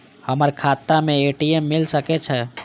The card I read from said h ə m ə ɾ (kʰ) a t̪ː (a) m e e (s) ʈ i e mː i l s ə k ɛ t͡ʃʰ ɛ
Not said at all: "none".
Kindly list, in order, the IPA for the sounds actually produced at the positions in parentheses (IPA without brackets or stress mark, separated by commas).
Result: kʰ, a, none